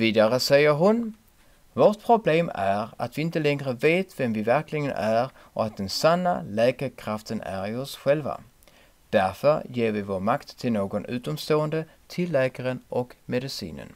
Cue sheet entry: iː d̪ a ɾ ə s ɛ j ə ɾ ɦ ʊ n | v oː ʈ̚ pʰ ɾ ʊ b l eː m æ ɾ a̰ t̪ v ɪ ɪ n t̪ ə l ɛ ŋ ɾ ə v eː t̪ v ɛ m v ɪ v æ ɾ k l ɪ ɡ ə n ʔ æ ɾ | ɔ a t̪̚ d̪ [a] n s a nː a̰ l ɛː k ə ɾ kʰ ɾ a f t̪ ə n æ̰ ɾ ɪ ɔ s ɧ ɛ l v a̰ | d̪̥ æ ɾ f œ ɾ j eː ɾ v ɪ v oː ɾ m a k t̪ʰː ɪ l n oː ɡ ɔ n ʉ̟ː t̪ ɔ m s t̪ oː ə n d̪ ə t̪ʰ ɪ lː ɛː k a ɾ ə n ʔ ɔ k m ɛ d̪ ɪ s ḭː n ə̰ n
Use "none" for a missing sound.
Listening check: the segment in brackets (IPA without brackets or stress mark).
ɛ